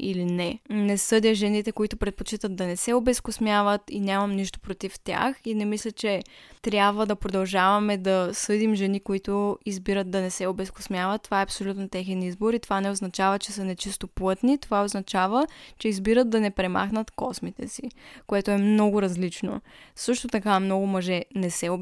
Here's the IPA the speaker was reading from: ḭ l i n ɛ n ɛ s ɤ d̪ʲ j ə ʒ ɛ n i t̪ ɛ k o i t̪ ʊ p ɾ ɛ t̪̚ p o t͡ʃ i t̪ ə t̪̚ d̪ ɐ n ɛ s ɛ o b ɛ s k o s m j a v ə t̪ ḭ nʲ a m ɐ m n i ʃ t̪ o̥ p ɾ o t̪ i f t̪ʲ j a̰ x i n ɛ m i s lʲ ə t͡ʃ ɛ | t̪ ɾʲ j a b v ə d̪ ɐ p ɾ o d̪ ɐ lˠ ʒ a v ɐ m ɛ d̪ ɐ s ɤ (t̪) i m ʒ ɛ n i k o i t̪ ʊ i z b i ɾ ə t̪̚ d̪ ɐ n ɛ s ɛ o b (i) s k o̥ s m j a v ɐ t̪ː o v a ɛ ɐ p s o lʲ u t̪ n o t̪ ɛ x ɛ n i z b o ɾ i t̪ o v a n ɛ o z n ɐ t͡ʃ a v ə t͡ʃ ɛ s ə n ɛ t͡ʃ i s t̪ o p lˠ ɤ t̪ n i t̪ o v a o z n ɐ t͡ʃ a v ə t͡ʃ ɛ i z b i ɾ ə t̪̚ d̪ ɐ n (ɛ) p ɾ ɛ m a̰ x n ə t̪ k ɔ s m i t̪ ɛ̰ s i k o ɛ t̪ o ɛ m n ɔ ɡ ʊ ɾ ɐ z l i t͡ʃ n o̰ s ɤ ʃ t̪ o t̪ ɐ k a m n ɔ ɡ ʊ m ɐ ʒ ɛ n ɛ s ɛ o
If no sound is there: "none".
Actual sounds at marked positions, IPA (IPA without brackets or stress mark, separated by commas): d̪, ɛ, ɛ